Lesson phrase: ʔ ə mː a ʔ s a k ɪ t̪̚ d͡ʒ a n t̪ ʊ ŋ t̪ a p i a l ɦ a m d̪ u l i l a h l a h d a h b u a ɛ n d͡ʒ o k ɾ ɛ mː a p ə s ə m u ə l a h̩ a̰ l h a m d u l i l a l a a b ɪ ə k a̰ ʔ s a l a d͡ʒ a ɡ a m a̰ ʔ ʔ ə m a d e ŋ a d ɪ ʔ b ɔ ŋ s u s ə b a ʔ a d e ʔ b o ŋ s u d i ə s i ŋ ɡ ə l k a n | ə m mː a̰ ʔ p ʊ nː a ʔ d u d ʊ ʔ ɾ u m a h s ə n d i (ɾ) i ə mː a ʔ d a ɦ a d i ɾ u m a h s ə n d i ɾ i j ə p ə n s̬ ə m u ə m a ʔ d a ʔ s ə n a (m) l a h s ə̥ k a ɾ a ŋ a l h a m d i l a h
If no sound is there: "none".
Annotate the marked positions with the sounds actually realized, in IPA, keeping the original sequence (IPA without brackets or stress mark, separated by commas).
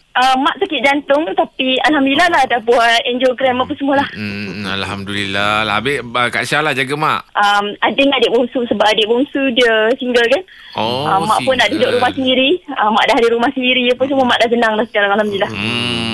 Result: ɾ, ŋ